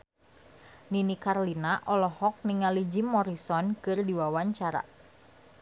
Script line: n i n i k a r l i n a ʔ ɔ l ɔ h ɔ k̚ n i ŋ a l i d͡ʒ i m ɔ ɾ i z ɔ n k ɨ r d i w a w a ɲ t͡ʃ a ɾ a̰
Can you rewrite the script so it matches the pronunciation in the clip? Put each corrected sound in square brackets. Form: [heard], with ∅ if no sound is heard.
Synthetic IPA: n i n i k a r l i n a ʔ ɔ l ɔ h ɔ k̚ n i ŋ a l i d͡ʒ i m ɔ ɾ i [s] ɔ n k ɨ r d i w a w a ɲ t͡ʃ a ɾ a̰